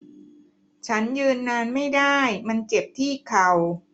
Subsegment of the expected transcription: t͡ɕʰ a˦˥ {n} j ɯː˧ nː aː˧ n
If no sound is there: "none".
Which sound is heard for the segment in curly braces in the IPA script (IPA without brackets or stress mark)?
n